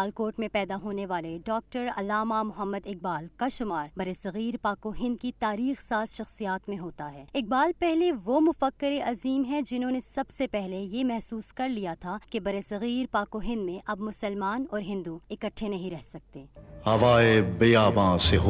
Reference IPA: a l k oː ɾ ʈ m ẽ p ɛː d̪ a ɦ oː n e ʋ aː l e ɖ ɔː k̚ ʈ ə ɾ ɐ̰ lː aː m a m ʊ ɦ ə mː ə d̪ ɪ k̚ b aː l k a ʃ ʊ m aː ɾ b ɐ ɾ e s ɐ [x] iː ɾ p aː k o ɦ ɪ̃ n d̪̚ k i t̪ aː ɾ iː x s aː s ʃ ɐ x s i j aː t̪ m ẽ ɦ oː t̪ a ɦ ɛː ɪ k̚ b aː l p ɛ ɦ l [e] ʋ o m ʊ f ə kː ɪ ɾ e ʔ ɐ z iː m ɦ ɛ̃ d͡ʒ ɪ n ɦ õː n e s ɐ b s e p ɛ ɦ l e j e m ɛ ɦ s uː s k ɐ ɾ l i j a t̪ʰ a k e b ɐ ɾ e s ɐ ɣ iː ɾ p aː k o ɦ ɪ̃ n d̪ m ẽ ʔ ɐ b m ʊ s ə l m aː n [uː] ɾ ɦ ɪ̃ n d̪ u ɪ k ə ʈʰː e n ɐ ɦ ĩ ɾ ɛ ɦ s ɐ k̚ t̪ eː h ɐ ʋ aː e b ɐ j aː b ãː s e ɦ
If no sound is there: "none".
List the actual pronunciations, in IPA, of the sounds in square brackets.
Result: ɣ, e, ɔː

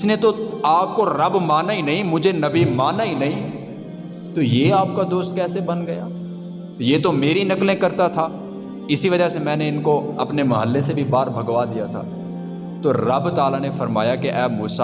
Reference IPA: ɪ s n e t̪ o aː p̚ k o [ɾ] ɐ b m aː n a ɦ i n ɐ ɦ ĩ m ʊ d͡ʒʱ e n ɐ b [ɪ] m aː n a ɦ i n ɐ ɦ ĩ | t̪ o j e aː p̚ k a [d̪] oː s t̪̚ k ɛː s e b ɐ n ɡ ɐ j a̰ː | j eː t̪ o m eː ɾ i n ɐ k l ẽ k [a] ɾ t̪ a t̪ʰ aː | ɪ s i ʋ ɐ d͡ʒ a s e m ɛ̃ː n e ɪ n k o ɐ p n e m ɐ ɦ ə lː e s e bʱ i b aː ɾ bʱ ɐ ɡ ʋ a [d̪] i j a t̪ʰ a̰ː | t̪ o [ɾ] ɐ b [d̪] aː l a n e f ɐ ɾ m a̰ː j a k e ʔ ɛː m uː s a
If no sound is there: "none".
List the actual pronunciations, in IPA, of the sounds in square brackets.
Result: ɾ, i, d̪, ɐ, d̪, ɾ, t̪

